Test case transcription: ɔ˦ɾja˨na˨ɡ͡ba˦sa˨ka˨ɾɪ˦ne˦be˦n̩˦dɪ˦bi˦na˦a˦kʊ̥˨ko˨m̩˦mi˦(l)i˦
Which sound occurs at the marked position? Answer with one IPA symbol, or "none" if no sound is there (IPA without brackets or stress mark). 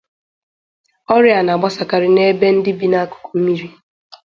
ɾ